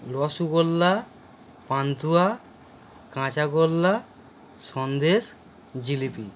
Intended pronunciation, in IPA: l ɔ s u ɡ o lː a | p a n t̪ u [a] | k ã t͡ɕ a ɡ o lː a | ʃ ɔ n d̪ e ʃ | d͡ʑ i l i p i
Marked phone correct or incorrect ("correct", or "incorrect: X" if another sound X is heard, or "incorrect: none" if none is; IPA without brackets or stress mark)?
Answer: correct